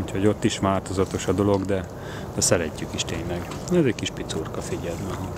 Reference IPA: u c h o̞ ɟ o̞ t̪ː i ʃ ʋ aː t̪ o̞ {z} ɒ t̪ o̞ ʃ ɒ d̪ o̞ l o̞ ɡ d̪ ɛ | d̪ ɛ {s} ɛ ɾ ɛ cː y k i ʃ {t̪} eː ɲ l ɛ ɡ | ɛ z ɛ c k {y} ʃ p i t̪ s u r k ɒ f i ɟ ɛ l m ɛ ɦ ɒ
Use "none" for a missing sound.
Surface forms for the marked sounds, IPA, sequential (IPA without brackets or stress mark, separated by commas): z, s, t̪, i